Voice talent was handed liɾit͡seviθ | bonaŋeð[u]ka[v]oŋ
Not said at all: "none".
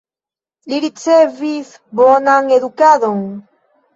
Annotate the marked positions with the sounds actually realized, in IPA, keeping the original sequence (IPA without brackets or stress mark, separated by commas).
u, ð